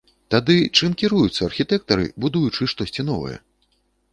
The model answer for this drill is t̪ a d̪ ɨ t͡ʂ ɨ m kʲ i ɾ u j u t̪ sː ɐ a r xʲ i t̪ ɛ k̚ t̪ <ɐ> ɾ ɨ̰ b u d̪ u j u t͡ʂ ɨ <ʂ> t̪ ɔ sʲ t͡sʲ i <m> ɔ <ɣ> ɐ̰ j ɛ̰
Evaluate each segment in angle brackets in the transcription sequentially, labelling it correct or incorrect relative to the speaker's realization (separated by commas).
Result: correct, correct, incorrect, incorrect